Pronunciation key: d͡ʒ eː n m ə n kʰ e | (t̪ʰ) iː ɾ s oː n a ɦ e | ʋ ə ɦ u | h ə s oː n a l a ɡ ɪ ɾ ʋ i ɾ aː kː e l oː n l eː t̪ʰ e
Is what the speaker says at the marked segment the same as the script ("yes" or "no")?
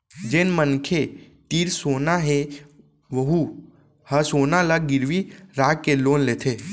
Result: no